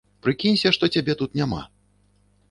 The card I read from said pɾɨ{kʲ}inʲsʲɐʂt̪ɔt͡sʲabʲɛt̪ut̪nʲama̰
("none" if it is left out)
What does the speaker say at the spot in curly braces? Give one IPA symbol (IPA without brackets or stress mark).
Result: kʲ